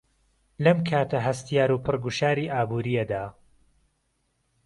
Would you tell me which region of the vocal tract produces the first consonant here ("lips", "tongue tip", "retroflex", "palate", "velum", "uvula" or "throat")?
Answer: tongue tip